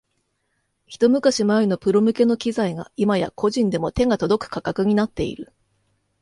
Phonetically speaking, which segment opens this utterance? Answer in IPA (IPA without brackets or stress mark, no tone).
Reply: ç